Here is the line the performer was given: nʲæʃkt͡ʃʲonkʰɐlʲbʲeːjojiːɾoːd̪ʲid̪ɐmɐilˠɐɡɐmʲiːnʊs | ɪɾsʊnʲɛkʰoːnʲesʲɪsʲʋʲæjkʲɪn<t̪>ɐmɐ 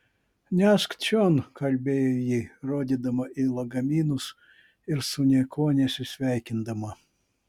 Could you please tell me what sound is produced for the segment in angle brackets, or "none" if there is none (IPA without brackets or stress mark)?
d̪